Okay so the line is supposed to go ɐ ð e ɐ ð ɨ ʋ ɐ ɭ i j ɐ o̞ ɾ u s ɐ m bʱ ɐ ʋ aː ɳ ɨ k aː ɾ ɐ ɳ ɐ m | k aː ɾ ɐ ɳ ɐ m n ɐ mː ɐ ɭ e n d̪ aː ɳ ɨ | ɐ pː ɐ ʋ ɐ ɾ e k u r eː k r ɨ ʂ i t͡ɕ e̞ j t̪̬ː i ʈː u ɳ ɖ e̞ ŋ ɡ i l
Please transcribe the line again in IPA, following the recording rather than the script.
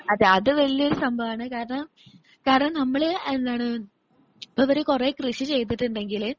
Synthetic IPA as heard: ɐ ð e ɐ ð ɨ ʋ ɐ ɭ i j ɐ o̞ ɾ u s ɐ m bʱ ɐ ʋ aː ɳ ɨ k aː ɾ ɐ ɳ ɐ m | k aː ɾ ɐ ɳ ɐ m n ɐ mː ɐ ɭ e n d̪ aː ɳ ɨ | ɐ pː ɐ ʋ ɐ ɾ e k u r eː k r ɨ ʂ i t͡ɕ e̞ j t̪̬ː i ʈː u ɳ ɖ e̞ ŋ ɡ i l

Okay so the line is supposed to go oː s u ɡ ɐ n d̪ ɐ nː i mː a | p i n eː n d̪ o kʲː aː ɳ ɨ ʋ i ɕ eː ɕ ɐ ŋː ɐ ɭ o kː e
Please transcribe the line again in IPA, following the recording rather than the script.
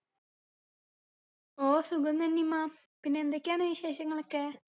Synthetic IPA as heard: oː s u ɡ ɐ n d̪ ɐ nː i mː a | p i nː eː n d̪ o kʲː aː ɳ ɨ ʋ i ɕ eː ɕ ɐ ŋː ɐ ɭ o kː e

